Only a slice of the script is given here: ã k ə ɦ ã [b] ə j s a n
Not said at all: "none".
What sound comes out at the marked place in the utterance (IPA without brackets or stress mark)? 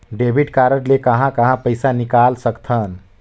p